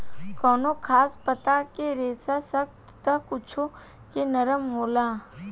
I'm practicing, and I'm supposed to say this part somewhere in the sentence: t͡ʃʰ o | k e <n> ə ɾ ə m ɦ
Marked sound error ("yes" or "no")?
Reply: no